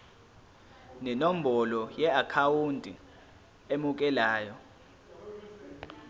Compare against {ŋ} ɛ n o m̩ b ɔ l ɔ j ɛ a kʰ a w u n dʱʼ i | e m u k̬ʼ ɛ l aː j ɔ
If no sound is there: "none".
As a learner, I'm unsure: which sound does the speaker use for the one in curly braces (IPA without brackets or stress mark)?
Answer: n